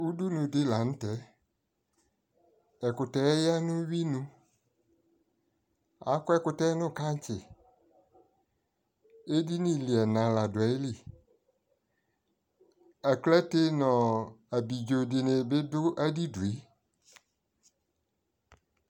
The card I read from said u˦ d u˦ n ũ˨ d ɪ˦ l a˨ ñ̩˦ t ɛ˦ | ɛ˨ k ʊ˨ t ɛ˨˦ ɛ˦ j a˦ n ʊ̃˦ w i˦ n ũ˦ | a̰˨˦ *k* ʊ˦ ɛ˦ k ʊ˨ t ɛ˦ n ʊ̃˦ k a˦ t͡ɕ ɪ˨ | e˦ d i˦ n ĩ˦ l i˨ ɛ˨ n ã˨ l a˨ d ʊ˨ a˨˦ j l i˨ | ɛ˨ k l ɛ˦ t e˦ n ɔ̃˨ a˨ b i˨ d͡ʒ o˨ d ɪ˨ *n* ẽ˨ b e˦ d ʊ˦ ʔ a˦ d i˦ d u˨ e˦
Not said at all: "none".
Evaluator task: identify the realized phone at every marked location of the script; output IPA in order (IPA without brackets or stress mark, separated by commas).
k, n